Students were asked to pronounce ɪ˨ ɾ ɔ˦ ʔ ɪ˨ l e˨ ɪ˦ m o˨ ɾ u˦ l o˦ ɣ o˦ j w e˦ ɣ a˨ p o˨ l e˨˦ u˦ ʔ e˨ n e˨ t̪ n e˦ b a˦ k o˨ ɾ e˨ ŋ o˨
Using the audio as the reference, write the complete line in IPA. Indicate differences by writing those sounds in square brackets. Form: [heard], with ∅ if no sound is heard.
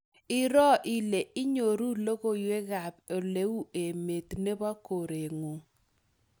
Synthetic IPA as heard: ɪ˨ ɾ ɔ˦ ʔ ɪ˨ l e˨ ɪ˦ [ɲ] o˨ ɾ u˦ l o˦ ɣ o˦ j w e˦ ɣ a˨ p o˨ l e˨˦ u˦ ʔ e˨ [m] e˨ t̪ n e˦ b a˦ k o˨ ɾ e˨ ŋ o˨